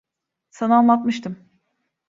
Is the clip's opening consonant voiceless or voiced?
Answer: voiceless